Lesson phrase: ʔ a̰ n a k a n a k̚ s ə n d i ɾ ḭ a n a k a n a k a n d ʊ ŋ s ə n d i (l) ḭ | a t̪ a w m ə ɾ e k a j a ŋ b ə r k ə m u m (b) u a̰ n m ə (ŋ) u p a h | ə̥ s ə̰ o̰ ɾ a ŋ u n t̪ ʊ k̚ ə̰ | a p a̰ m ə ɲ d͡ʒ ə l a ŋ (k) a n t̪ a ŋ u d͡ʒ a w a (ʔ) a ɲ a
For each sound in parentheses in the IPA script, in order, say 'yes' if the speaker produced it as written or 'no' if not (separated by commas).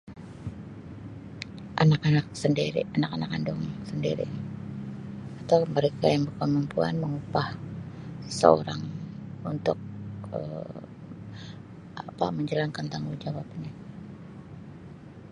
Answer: no, no, yes, yes, no